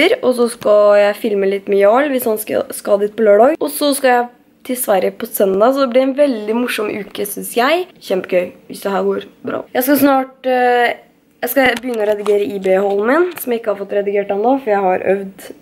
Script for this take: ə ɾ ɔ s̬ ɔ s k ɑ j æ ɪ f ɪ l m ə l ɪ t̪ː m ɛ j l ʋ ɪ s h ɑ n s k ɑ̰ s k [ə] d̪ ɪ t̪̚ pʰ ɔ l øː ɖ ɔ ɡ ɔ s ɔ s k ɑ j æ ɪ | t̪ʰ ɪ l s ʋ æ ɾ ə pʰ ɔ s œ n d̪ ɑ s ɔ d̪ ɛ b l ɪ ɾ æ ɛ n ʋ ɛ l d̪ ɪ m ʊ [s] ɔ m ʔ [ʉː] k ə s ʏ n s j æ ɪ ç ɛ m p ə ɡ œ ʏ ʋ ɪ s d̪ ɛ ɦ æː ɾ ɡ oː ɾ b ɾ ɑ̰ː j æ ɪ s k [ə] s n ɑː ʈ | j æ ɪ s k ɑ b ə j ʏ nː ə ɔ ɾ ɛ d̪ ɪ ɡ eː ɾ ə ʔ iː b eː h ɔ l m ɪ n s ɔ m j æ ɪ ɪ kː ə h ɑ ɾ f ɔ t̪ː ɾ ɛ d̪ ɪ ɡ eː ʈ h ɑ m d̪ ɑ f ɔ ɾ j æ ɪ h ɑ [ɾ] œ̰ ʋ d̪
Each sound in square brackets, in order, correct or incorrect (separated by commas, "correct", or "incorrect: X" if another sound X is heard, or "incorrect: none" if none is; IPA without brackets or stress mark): incorrect: ɑ, incorrect: ʂ, correct, incorrect: ɑ, correct